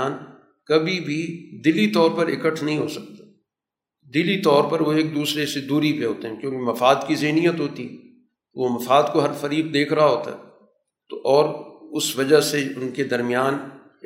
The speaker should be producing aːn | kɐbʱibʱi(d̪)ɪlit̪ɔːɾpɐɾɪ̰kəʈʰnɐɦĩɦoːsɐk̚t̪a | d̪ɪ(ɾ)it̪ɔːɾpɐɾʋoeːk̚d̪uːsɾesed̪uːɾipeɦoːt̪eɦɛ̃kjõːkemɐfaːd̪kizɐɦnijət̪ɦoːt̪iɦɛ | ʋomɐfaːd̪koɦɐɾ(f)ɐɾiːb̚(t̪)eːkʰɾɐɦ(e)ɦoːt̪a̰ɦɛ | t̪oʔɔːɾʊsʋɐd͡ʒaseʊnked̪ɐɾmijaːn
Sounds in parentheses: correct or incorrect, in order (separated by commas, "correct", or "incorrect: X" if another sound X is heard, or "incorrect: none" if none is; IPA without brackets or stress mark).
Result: correct, incorrect: l, correct, incorrect: d̪, incorrect: a